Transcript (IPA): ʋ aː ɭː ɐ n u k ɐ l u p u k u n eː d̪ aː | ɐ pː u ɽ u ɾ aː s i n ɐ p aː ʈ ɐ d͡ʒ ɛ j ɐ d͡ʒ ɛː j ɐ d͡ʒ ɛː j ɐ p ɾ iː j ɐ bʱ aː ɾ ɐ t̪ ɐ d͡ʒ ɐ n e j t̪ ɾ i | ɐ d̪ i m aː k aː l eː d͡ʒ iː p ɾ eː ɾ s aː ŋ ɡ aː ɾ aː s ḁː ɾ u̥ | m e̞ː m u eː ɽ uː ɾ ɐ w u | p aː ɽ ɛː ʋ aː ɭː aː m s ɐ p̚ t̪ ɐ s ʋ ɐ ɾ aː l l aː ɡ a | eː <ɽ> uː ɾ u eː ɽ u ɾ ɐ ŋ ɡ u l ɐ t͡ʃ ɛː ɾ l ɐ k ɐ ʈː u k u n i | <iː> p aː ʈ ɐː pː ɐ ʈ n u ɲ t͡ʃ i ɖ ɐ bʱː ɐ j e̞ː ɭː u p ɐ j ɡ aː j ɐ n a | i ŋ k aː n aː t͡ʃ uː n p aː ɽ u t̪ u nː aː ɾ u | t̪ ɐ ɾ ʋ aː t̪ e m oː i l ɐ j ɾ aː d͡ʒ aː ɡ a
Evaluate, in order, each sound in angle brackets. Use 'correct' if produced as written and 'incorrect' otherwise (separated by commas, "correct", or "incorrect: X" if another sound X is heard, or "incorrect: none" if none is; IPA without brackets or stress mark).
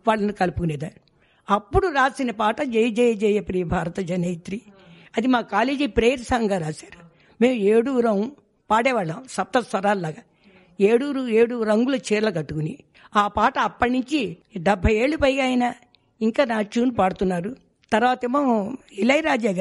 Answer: correct, incorrect: aː